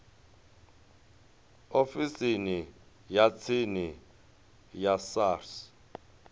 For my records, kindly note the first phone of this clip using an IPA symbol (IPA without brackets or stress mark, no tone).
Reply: o